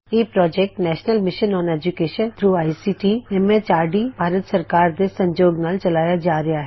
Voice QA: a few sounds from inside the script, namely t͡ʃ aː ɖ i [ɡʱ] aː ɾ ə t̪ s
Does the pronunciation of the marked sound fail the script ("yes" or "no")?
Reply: yes